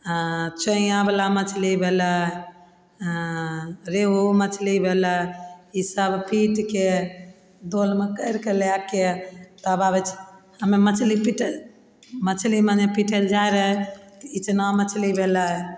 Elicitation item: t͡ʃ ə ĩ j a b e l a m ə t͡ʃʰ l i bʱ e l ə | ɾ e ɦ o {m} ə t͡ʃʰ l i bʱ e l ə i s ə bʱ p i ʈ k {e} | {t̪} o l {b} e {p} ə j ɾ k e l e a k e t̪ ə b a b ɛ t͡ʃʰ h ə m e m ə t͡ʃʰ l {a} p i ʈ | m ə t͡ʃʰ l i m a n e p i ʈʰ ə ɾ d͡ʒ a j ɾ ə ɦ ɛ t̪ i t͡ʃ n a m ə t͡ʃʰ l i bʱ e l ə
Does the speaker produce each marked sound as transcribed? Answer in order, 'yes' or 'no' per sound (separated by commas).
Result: yes, yes, no, no, no, no